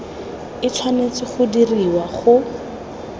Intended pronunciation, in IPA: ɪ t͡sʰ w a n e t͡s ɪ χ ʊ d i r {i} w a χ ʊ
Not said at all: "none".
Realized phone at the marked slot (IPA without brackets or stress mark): i